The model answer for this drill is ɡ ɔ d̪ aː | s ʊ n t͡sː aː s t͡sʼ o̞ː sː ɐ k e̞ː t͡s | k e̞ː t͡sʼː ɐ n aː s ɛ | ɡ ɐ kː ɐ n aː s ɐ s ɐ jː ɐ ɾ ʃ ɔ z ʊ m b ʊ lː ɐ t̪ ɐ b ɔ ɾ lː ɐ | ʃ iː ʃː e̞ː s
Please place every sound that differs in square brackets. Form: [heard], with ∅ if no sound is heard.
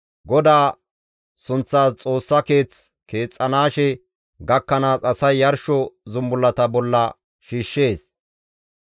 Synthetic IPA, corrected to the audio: ɡ ɔ d̪ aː | s ʊ n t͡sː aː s t͡sʼ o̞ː sː ɐ k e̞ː t͡s | k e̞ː t͡sʼː ɐ n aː [ʃ] ɛ | ɡ ɐ kː ɐ n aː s ɐ s ɐ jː ɐ ɾ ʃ ɔ z ʊ m b ʊ lː ɐ t̪ ɐ b ɔ [∅] lː ɐ | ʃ iː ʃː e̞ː s